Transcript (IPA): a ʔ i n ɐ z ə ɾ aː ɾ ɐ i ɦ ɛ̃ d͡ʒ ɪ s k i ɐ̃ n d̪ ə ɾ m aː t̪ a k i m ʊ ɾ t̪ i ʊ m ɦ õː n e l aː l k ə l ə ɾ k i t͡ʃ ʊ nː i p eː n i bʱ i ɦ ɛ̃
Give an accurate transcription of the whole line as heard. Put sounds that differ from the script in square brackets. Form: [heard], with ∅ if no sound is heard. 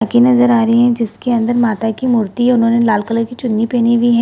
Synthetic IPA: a [k] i n ɐ z ə ɾ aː ɾ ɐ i ɦ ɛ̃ d͡ʒ ɪ s k [e] ɐ̃ n d̪ ə ɾ m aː t̪ a k i m ʊ ɾ t̪ i ʊ [n] ɦ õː n e l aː l k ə l ə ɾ k i t͡ʃ ʊ nː i p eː n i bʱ i ɦ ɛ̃